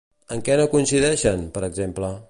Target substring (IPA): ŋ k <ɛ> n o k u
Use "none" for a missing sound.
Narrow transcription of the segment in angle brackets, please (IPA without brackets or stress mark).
ɛ